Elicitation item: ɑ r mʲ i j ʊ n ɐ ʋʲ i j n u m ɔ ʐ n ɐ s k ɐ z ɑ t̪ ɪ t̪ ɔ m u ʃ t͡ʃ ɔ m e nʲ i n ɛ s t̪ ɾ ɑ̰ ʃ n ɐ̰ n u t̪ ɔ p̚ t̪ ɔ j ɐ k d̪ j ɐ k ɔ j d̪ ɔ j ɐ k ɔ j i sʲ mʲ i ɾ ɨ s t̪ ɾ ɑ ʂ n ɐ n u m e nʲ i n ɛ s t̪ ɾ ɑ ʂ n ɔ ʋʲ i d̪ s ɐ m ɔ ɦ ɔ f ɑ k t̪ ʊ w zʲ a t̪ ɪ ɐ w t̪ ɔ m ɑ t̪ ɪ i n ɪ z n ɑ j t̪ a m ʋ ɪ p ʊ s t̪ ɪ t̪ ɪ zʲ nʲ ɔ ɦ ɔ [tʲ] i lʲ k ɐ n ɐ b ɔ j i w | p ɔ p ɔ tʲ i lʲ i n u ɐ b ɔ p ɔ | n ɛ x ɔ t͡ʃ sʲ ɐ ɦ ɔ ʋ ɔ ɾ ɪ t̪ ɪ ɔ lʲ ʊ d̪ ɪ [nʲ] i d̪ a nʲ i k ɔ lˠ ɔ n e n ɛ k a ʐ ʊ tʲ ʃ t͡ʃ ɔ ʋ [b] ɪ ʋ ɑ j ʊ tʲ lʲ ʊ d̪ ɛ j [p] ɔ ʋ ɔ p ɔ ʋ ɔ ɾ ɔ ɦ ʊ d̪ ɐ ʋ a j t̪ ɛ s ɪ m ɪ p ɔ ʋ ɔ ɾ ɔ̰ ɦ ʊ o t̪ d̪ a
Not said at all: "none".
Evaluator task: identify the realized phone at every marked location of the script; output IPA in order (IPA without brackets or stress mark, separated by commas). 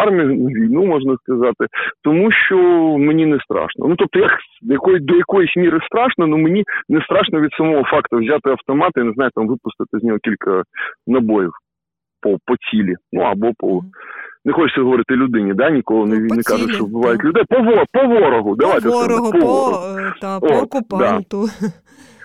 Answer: kʲ, nʲ, b, p